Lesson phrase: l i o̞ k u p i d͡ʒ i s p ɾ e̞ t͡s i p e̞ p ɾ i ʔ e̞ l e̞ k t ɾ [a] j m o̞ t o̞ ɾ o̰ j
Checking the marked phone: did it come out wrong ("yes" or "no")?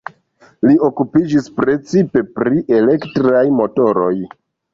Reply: no